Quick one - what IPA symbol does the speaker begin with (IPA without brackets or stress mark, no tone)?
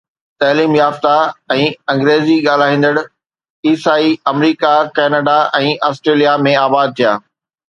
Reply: t̪